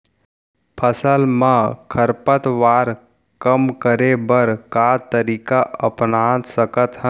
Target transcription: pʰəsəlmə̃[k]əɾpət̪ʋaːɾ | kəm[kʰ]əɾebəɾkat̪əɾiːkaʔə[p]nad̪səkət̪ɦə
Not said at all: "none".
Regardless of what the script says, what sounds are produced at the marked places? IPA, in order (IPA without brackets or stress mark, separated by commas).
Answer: kʰ, k, p